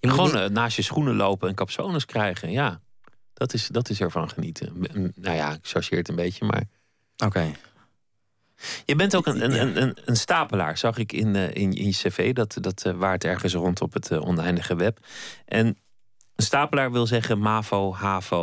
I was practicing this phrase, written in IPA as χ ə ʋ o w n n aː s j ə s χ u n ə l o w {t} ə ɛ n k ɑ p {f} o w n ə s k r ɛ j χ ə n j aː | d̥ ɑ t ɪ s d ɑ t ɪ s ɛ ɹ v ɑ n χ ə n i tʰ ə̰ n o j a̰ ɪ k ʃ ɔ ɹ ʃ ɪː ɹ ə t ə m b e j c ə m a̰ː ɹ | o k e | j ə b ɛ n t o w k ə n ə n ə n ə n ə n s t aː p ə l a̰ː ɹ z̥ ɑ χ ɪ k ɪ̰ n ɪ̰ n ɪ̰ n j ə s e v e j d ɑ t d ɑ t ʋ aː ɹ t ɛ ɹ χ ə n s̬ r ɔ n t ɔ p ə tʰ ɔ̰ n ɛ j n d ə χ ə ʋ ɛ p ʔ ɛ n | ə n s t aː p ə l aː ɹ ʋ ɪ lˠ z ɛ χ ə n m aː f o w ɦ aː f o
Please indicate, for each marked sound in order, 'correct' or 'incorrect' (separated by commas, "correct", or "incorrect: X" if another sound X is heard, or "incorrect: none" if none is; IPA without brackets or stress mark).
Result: incorrect: p, incorrect: s